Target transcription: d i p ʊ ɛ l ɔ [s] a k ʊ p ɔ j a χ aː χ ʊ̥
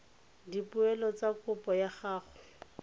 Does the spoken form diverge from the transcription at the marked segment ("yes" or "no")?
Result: yes